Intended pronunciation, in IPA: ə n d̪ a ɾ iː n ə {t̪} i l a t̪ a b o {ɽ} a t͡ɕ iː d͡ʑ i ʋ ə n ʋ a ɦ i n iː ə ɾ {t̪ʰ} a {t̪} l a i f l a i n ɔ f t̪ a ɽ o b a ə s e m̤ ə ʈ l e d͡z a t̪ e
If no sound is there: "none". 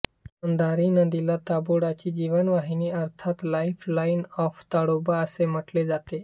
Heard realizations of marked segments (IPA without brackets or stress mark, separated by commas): d̪, ɽ, t̪ʰ, t̪